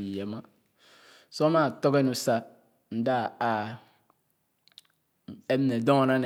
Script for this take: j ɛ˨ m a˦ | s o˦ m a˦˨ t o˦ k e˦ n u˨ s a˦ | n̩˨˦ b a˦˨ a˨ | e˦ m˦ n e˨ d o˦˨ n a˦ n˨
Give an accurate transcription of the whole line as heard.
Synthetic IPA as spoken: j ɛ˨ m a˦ | s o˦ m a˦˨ t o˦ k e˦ n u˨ s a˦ | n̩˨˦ d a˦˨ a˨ | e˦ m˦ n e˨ d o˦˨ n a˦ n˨

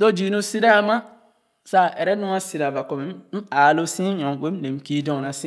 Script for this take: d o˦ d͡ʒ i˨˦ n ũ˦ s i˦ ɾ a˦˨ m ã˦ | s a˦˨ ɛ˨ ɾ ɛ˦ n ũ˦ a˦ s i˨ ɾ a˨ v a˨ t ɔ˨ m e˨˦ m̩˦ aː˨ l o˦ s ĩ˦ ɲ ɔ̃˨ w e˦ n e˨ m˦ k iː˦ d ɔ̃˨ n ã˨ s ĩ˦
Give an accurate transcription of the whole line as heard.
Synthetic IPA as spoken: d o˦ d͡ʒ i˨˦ n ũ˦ s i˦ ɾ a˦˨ m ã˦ | s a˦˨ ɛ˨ ɾ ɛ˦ n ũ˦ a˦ s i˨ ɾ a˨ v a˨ k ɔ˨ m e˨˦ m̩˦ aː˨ l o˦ s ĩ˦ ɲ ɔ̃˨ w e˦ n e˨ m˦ k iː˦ d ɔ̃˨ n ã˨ s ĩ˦

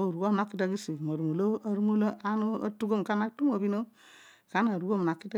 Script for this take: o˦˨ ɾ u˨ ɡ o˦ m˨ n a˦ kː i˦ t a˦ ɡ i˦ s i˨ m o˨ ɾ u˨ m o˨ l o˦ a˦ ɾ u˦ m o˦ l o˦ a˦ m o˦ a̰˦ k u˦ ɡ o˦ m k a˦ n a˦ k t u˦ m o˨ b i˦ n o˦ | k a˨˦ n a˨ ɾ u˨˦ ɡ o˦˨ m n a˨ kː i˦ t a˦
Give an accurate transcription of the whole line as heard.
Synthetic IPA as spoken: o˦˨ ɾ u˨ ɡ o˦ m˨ n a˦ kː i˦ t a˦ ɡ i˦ s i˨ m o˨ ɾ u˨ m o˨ l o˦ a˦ ɾ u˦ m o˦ l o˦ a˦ n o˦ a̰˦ t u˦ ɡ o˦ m k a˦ n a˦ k t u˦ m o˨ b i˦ n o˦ | k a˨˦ n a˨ ɾ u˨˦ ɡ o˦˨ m n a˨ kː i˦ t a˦

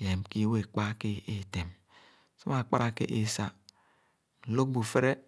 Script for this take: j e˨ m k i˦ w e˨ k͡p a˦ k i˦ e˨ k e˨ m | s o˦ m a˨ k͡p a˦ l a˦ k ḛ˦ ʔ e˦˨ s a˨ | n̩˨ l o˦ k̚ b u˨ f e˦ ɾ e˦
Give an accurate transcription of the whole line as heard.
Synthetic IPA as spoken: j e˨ m k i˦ w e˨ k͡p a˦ k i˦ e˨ t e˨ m | s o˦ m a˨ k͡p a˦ ɾ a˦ k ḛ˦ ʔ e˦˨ s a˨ | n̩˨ l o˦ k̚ b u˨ f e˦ ɾ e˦

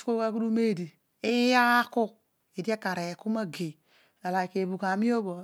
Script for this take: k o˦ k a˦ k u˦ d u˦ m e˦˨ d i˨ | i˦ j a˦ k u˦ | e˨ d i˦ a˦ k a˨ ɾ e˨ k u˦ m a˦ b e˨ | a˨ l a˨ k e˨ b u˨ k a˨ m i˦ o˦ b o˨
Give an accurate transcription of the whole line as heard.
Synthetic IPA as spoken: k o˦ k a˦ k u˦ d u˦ m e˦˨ d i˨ | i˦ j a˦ k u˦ | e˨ d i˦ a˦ k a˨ ɾ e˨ k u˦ m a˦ ɡ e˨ | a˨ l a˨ k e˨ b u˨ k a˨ m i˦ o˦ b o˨

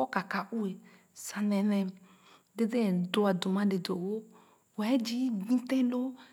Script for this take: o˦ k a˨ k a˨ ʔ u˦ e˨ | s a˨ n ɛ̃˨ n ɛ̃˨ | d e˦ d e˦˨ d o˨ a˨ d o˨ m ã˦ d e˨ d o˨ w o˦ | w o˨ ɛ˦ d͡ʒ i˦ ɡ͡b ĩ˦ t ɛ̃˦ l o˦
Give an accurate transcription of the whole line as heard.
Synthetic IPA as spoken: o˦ k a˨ k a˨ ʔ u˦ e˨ | s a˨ n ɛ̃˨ n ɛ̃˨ | d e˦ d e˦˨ d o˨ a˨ d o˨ m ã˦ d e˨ d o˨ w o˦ | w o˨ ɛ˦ d͡ʒ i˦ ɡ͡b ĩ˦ t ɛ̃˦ l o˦

